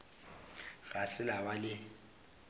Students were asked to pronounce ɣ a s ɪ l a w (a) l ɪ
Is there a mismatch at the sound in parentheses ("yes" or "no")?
no